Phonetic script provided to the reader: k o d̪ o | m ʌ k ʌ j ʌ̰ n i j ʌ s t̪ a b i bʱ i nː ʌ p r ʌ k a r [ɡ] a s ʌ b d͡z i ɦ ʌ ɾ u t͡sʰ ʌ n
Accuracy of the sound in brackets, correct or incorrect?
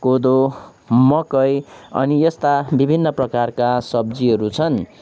incorrect